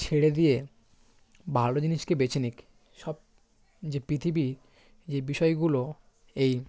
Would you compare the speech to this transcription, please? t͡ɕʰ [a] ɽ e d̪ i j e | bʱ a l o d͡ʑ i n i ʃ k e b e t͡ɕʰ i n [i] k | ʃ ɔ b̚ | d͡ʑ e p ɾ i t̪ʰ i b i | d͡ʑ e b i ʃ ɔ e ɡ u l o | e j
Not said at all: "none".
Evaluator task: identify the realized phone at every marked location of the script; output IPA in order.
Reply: e, i

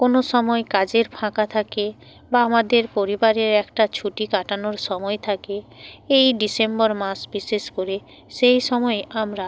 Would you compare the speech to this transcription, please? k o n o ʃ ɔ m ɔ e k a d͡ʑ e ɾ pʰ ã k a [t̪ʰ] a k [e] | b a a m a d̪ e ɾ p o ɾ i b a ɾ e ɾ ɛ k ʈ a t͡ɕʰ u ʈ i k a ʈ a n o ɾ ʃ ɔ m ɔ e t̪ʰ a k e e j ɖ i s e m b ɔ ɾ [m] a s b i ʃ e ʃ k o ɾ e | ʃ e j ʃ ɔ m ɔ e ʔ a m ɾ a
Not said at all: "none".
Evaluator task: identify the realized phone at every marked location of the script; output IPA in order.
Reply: t̪ʰ, e, m

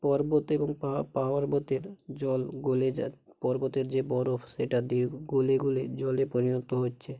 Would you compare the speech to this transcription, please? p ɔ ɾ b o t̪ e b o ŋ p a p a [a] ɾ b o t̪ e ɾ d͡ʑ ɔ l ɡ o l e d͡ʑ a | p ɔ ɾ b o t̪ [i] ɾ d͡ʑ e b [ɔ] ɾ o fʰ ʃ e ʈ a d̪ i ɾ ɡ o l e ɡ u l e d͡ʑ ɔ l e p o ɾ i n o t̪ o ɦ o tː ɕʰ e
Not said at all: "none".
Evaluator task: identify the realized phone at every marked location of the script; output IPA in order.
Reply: a, e, ɔ

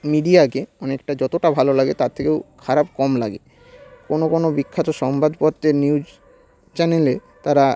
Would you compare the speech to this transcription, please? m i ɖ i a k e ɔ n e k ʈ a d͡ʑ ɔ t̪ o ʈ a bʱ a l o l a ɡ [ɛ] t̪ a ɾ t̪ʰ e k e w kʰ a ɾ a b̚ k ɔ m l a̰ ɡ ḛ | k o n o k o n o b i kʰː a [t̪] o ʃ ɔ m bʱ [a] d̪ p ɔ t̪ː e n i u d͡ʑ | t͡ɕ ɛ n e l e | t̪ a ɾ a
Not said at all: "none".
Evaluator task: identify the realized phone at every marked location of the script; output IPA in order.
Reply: e, t̪, a

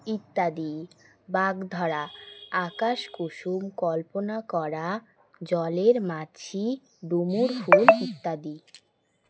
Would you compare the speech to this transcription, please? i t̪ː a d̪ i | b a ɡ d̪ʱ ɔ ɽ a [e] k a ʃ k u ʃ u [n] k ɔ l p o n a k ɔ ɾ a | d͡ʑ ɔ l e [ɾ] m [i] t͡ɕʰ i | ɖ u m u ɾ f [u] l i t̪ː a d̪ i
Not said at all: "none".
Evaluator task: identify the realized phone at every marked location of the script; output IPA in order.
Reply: a, m, ɾ, a, u

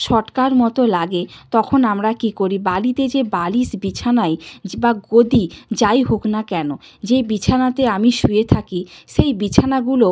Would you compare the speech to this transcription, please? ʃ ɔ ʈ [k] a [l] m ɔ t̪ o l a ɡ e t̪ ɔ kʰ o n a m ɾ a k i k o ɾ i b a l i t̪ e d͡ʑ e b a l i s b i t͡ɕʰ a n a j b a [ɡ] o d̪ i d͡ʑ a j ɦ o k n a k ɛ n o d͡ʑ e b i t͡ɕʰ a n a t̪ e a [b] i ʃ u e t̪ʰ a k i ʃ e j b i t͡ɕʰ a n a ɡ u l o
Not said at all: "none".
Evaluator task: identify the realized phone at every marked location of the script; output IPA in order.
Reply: k, ɾ, ɡ, m

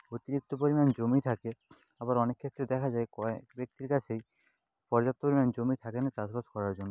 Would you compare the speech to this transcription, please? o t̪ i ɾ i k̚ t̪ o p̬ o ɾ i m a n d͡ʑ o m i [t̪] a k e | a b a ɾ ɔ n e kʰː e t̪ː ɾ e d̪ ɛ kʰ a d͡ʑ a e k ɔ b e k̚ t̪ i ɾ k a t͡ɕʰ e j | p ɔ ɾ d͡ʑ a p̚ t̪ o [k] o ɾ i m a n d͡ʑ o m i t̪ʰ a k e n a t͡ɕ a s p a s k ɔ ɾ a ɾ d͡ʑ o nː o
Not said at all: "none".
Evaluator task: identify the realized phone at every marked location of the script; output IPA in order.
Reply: t̪ʰ, p

